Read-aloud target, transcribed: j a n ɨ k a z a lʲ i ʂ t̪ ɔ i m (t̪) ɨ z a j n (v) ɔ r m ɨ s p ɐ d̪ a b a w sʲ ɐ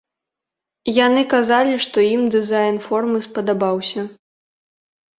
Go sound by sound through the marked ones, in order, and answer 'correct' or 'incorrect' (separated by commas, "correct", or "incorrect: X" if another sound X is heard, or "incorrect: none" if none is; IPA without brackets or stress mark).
incorrect: d̪, incorrect: f